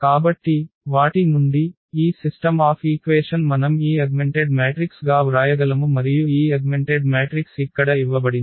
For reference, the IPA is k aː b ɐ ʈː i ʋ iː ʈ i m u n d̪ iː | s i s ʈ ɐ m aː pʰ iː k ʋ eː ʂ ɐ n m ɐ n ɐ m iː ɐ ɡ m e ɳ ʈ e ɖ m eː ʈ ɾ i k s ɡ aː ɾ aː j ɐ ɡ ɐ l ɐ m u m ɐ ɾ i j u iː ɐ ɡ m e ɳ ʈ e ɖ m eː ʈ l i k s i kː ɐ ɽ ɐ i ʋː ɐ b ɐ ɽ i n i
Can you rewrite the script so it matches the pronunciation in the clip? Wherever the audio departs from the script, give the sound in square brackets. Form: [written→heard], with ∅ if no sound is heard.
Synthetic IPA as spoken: k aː b ɐ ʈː i ʋ [iː→aː] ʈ i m u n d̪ iː | s i s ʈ ɐ m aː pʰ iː k ʋ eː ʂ ɐ n m ɐ n ɐ m iː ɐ ɡ m e ɳ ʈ e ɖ m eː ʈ ɾ i k s ɡ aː ɾ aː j ɐ ɡ ɐ l ɐ m u m ɐ ɾ i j u iː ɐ ɡ m e ɳ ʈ e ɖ m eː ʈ [l→ɾ] i k s i kː ɐ ɽ ɐ i ʋː ɐ b ɐ ɽ i n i